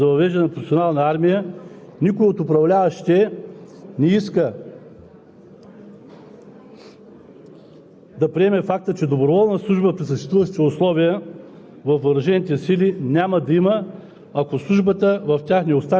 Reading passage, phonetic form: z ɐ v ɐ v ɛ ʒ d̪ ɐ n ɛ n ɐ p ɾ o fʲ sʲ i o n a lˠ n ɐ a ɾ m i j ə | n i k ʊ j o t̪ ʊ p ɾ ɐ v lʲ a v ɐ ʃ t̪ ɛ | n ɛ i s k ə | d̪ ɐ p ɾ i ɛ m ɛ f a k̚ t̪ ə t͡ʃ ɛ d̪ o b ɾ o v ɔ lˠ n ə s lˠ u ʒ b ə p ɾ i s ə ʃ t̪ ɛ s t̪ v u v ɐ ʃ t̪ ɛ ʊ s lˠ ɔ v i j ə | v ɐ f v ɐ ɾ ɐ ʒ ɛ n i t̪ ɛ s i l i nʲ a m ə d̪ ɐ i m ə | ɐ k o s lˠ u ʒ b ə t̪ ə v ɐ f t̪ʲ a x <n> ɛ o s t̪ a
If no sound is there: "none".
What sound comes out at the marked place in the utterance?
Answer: n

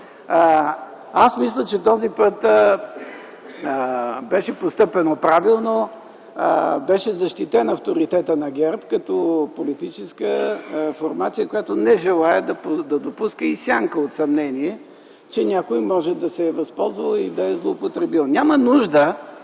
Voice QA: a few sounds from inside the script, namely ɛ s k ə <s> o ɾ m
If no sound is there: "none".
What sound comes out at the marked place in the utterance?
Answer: f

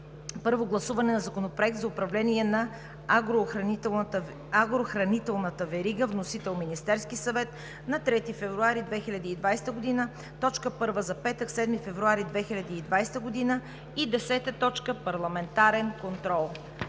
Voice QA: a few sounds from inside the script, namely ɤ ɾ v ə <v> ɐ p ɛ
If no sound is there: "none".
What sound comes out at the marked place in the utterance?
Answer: z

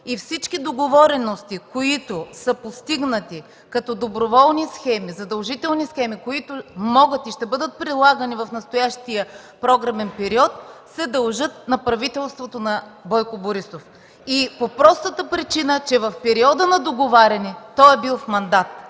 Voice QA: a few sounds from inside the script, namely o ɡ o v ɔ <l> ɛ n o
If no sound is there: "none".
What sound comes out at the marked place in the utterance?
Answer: ɾ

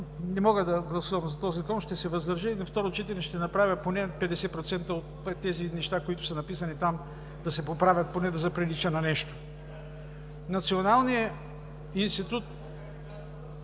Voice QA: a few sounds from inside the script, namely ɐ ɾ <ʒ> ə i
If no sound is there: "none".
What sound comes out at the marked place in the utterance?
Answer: ʒ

